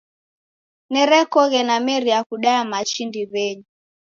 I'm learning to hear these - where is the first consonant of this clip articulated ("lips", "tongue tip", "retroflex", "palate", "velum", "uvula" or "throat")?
tongue tip